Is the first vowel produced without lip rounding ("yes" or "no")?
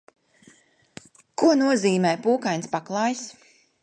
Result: no